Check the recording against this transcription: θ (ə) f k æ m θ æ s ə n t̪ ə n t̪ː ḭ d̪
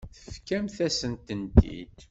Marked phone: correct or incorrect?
correct